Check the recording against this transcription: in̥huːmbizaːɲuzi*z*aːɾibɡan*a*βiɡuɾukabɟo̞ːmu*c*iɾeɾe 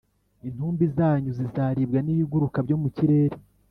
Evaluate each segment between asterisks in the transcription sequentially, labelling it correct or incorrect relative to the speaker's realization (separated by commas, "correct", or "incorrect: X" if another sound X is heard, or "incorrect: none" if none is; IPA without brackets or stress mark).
correct, incorrect: i, correct